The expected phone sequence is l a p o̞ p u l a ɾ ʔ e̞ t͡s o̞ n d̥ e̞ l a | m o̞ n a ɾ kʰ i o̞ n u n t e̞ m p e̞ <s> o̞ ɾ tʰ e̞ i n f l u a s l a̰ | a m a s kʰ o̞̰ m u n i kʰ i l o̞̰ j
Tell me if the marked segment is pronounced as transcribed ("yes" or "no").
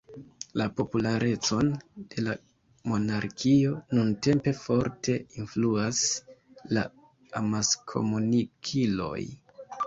no